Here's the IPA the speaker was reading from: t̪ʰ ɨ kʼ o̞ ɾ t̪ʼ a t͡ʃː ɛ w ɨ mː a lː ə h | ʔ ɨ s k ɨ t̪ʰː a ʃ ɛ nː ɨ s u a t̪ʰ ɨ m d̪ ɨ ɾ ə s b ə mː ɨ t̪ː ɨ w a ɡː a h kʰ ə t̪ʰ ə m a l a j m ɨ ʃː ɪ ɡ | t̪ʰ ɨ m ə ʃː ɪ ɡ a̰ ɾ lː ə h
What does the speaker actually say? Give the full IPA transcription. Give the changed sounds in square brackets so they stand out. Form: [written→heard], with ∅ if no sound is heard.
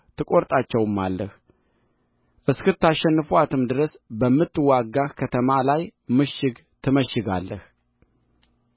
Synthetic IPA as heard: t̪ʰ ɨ kʼ o̞ ɾ t̪ʼ a t͡ʃː ɛ w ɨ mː a lː ə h | ʔ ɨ s k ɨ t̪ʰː a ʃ ɛ nː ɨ [s→f] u a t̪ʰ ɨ m d̪ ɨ ɾ ə s b ə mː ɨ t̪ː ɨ w a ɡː a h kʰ ə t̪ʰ ə m a l a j m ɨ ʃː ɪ ɡ | t̪ʰ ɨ m ə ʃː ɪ ɡ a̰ [ɾ→∅] lː ə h